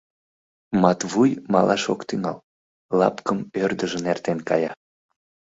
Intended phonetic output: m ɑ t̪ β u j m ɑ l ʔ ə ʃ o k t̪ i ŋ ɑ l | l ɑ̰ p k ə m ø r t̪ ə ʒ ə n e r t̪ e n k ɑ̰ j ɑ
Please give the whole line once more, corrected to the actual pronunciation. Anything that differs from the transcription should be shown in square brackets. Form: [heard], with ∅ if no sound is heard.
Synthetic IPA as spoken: m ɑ t̪ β u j m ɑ l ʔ [ɑ] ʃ o k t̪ [y] ŋ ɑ l | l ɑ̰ p k ə m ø r [d̪] ə ʒ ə n e r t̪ e n k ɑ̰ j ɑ